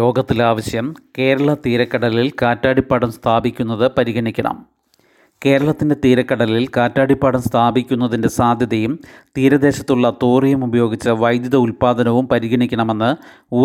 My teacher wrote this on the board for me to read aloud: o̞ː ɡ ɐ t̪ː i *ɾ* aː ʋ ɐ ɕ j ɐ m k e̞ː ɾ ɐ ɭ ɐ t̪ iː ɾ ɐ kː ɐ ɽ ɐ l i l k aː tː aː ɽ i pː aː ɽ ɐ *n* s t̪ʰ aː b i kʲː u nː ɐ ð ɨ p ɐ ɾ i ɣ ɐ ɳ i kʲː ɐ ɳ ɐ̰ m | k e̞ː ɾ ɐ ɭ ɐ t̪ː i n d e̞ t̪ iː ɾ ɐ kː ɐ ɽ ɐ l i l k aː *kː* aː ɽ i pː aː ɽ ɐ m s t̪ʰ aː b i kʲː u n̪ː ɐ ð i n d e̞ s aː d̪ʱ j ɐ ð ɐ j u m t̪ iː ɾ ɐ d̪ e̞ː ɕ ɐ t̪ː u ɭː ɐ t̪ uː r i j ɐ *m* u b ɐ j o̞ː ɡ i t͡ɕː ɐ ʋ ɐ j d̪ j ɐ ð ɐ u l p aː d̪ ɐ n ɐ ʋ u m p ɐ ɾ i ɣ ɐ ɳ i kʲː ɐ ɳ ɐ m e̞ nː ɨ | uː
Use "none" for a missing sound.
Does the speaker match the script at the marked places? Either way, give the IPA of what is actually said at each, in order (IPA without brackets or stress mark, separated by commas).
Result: l, m, tː, m